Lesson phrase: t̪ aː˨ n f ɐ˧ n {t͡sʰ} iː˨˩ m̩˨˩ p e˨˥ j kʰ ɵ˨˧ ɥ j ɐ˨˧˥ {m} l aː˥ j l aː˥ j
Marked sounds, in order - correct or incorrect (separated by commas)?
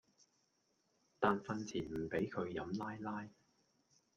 correct, correct